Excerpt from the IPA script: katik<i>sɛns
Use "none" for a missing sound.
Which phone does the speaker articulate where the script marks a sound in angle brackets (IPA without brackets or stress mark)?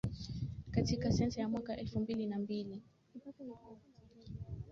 a